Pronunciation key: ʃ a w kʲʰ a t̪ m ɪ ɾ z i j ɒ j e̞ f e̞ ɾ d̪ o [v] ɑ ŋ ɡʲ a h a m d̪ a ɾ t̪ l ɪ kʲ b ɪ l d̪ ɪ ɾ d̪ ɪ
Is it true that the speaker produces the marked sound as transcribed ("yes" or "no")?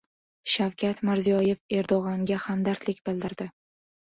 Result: no